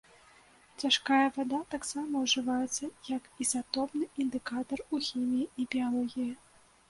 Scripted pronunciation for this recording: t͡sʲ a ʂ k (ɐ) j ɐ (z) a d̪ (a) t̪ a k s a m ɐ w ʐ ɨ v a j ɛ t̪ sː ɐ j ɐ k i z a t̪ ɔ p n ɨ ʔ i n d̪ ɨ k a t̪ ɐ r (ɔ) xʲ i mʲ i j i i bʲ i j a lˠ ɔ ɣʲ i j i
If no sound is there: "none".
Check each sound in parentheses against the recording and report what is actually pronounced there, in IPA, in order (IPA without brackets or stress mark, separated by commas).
a, v, a, u